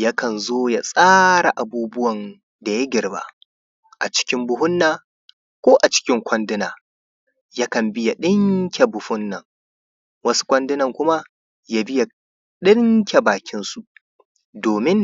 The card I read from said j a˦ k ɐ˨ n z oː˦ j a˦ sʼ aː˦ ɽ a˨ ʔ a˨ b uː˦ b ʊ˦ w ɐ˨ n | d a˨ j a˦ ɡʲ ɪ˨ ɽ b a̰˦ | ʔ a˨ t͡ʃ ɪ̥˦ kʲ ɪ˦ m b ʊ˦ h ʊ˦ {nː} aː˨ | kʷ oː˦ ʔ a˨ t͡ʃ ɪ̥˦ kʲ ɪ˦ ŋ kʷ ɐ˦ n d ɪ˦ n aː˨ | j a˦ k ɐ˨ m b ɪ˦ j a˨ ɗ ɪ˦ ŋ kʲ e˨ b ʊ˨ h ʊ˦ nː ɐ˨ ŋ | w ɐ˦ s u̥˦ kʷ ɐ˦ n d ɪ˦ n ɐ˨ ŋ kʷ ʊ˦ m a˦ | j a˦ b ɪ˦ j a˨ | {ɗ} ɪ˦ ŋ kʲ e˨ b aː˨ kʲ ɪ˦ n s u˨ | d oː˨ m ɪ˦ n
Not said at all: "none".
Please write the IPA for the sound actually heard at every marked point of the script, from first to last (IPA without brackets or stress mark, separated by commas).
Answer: nː, ɗ